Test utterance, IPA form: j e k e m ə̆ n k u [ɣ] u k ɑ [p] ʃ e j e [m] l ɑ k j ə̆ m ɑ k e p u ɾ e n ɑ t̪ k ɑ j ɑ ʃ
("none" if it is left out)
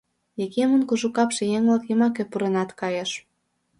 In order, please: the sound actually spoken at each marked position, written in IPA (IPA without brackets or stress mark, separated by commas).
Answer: ʒ, p, ŋ